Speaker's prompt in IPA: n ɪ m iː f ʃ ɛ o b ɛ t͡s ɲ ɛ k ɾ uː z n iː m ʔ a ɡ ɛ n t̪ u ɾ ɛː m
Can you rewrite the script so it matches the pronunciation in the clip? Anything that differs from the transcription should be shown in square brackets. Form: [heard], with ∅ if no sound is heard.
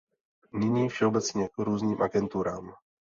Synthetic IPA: n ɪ [ɲ] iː f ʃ ɛ o b ɛ t͡s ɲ ɛ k ɾ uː z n iː m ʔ a ɡ ɛ n t̪ u ɾ [aː] m